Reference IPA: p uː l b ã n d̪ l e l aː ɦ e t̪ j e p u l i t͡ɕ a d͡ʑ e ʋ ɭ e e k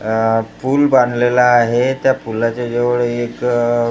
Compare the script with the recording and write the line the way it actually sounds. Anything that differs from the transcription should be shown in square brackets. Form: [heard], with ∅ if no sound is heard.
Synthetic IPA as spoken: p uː l b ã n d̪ l e l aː ɦ e t̪ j [a] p u l [a] t͡ɕ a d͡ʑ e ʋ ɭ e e k